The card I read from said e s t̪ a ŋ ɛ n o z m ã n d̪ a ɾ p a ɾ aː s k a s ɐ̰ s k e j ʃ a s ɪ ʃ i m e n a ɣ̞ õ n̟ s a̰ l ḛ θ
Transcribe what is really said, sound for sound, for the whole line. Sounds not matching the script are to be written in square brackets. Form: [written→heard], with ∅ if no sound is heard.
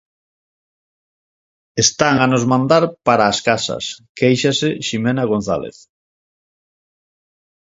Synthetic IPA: e s t̪ a ŋ [ɛ→a] n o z m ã n d̪ a ɾ p a ɾ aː s k a s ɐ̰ s k e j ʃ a s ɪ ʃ i m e n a ɣ̞ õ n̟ [s→θ] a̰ l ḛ θ